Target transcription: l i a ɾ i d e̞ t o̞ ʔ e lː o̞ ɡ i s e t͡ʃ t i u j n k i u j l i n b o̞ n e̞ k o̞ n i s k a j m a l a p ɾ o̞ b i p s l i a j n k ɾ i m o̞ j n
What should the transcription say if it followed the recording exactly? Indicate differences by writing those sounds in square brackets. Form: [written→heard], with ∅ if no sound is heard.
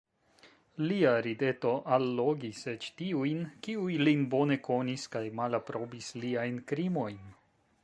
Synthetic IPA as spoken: l i a ɾ i d e̞ t o̞ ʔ [e→a] lː o̞ ɡ i s e t͡ʃ t i u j n k i u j l i n b o̞ n e̞ k o̞ n i s k a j m a l a p ɾ o̞ b i [p→∅] s l i a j n k ɾ i m o̞ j n